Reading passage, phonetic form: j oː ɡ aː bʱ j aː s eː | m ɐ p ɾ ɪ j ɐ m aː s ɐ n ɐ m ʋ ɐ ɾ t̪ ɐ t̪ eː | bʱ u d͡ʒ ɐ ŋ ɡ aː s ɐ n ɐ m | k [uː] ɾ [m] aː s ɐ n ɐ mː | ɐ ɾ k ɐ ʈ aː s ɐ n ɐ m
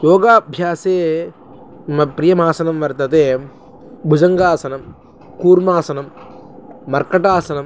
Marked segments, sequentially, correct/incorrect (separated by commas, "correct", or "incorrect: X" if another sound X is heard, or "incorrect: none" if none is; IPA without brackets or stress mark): correct, correct